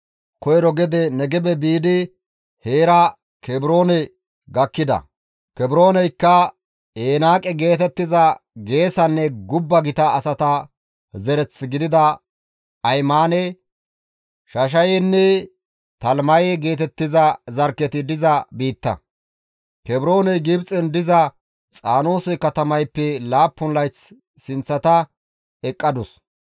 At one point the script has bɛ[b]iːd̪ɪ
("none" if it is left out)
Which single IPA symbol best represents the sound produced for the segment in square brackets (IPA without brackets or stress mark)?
b